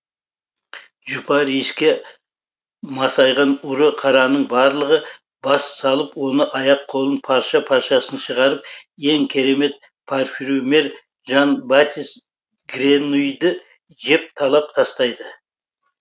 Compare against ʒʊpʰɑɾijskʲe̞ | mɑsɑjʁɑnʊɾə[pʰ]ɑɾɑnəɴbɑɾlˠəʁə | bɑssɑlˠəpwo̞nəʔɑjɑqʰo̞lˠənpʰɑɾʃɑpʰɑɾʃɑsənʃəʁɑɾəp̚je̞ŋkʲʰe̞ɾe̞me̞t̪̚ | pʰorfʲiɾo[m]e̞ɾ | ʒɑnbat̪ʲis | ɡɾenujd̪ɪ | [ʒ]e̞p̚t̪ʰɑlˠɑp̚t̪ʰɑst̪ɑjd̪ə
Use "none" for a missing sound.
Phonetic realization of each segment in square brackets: qʰ, m, ʒ

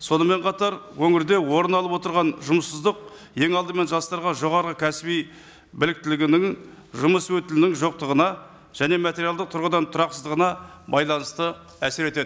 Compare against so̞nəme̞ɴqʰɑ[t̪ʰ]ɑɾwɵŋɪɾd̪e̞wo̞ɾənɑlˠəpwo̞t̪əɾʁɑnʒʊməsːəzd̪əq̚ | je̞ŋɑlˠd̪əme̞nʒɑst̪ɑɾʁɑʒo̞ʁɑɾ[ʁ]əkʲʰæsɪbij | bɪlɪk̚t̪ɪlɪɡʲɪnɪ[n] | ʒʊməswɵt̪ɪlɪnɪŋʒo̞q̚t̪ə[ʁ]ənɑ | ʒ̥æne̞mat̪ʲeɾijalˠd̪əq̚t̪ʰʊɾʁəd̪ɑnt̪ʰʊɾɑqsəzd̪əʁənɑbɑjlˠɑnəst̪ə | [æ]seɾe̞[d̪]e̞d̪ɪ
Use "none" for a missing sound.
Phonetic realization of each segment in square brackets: t̪, ʁ, ŋ, ʁ, æ, t̪

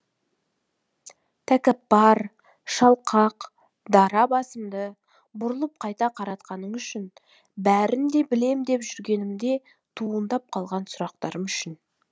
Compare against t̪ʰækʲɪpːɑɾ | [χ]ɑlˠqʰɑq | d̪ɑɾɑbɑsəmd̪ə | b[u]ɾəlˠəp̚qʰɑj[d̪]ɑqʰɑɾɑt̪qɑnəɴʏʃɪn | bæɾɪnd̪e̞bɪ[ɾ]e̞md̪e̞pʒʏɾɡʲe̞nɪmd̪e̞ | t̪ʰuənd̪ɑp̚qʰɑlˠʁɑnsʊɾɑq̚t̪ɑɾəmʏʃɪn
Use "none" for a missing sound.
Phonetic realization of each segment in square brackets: ʃ, ʊ, t̪, l

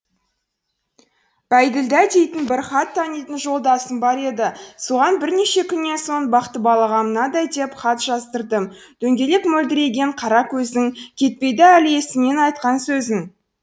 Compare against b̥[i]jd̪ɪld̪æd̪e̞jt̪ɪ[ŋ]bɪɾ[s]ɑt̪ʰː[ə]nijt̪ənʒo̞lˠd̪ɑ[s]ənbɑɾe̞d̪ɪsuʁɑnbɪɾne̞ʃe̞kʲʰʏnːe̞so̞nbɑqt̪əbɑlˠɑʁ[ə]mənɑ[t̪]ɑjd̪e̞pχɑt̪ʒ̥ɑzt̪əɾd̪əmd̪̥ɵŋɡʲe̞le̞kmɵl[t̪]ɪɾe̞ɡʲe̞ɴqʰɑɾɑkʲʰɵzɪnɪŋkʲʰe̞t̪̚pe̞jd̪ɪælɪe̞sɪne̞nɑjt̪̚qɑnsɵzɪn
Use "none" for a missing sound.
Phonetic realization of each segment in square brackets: æ, n, χ, ɑ, s, ɑ, d̪, d̪

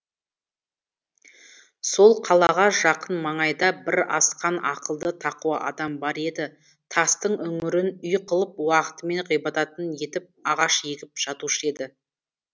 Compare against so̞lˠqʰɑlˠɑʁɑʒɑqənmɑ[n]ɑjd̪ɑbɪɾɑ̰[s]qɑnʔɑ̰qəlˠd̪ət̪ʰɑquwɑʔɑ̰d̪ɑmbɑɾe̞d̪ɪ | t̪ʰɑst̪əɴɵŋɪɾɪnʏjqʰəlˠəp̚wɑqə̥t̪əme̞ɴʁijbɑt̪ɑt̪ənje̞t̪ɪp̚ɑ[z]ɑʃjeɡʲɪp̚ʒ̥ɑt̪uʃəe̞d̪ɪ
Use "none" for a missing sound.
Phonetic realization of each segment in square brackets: ɴ, s, ʁ

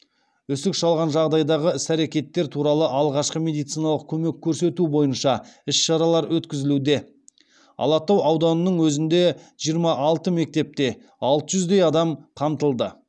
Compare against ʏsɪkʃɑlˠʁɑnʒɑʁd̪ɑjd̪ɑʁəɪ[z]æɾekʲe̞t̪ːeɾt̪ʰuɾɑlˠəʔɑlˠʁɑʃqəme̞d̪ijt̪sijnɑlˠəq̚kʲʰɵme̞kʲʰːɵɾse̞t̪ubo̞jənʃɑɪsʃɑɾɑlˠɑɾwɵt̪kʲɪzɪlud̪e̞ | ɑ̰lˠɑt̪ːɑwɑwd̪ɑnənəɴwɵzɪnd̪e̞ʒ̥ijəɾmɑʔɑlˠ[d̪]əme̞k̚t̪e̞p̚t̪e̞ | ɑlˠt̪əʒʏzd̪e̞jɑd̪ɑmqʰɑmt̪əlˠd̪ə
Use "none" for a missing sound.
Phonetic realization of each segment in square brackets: s, t̪

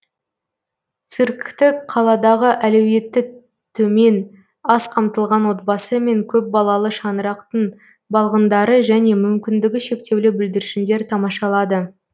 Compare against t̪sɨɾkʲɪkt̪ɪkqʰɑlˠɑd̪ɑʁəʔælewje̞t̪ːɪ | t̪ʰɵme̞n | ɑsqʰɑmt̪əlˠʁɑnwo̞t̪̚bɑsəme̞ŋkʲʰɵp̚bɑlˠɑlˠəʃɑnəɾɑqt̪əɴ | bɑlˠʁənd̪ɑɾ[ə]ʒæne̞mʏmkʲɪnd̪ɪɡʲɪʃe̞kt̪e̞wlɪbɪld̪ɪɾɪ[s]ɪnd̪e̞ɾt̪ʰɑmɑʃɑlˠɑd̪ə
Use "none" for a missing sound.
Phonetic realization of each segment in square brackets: ə, ʃ

